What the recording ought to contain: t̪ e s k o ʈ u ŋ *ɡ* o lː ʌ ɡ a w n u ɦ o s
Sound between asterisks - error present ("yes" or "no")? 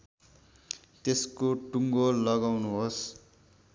no